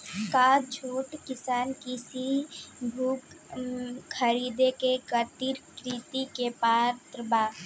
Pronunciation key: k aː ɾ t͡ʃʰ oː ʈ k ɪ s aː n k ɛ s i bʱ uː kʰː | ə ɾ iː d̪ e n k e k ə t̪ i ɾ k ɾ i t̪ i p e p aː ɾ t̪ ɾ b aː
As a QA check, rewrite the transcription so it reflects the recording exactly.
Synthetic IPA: k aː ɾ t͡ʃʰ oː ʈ k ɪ s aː n k i s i bʱ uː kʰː | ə ɾ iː d̪ e k e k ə t̪ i ɾ k ɾ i t̪ i k e p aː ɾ t̪ ɾ b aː